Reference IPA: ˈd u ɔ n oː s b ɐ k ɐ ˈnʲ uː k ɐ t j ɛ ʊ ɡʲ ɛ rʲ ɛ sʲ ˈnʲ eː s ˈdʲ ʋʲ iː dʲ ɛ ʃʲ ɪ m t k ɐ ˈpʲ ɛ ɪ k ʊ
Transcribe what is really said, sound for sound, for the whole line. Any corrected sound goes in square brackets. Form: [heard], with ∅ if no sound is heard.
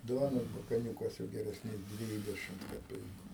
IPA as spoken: ˈd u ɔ n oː s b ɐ k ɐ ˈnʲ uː k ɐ [s] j ɛ ʊ ɡʲ ɛ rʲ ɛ sʲ ˈnʲ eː s ˈdʲ ʋʲ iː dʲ ɛ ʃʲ ɪ m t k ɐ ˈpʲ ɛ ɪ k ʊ

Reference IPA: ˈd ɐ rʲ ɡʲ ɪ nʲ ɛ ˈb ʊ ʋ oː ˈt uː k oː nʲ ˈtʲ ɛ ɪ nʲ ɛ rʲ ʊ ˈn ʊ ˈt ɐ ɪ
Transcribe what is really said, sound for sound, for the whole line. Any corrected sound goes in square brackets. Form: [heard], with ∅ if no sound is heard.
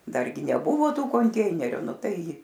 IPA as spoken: ˈd ɐ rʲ ɡʲ ɪ nʲ ɛ ˈb ʊ ʋ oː ˈt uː k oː nʲ ˈtʲ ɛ ɪ nʲ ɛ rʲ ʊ ˈn ʊ ˈt ɐ ɪ

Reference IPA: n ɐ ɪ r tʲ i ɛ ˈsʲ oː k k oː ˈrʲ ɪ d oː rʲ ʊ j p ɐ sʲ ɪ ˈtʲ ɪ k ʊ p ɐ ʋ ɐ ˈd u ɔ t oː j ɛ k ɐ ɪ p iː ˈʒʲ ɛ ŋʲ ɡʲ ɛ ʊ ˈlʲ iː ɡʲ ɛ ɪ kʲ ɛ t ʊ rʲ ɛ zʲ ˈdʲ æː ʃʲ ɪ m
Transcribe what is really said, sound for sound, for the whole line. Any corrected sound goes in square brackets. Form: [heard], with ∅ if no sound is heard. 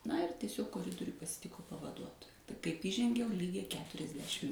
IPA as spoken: n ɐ ɪ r tʲ i ɛ ˈsʲ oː k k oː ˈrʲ ɪ d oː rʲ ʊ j p ɐ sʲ ɪ ˈtʲ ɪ k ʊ p ɐ ʋ ɐ ˈd u ɔ t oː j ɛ k ɐ ɪ p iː ˈʒʲ ɛ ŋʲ ɡʲ ɛ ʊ ˈlʲ iː ɡʲ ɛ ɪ kʲ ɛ t ʊ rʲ ɛ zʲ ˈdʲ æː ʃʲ ɪ m

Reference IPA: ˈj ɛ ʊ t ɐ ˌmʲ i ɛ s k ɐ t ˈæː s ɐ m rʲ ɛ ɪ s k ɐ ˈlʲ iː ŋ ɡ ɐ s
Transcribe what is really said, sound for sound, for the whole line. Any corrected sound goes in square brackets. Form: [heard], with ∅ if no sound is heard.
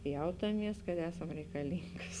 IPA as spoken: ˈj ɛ ʊ t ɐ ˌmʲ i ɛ s k ɐ t ˈæː s ɐ m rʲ ɛ ɪ [∅] k ɐ ˈlʲ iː ŋ ɡ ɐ s

